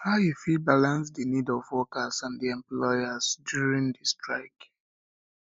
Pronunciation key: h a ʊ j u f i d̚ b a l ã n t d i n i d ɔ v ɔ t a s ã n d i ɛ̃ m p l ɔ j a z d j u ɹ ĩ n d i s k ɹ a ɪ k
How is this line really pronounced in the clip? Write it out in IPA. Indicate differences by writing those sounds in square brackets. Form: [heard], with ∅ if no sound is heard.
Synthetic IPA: h a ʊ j u f i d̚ b a l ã n [s] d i n i d ɔ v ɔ [k] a s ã n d i ɛ̃ m p l ɔ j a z d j u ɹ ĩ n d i s [t] ɹ a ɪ k